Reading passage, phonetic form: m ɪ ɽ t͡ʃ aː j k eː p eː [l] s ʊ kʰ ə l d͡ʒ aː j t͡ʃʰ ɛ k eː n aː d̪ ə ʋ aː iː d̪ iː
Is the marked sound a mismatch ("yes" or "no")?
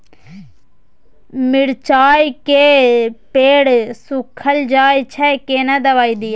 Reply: yes